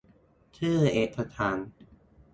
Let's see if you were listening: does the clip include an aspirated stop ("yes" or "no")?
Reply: yes